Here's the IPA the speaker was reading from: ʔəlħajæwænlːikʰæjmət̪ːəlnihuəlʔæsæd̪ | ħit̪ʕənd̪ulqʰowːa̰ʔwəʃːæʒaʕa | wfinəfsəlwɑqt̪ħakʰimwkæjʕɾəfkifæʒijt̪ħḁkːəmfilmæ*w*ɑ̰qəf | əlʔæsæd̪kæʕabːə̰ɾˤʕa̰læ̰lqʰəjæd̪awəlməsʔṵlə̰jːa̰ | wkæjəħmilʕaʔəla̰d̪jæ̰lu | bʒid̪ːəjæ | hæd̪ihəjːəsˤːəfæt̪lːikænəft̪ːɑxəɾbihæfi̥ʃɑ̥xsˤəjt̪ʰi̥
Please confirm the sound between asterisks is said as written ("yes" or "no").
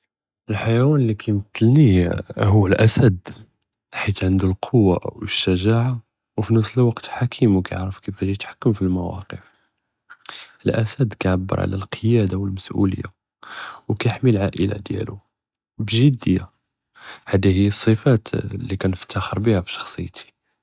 yes